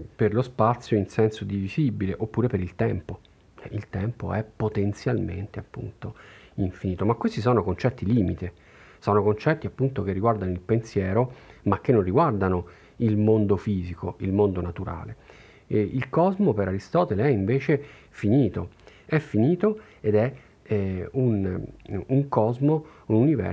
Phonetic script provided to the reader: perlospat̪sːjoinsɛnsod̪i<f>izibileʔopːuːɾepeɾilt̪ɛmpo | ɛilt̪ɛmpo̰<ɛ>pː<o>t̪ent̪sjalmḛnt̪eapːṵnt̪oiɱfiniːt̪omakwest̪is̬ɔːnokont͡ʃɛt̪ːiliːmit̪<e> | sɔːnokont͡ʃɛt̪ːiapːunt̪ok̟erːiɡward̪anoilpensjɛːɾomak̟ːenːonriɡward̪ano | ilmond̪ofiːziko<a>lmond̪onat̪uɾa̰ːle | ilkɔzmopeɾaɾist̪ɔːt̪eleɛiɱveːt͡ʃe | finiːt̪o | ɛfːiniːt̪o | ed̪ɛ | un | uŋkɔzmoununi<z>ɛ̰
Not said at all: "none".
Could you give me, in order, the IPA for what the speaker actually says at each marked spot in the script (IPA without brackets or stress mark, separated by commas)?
v, ɛ, o, e, i, v